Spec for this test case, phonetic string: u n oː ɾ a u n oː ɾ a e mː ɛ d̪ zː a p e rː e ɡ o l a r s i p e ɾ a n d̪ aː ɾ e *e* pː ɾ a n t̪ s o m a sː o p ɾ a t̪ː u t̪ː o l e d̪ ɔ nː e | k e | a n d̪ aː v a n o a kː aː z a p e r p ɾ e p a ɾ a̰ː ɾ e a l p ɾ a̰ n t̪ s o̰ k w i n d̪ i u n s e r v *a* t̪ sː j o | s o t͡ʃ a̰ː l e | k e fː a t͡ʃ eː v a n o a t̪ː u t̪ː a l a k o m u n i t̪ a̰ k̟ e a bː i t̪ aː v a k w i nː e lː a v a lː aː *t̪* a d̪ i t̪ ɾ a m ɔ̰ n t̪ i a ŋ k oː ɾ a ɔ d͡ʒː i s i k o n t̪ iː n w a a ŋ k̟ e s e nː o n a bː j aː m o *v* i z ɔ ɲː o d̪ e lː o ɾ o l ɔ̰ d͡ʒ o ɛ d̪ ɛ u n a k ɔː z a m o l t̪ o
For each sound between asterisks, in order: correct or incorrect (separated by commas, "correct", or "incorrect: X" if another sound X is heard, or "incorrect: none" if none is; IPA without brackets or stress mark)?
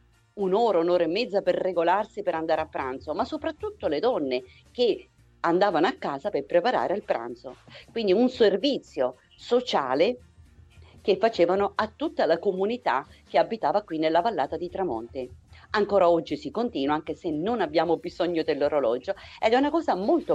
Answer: incorrect: a, incorrect: i, correct, incorrect: b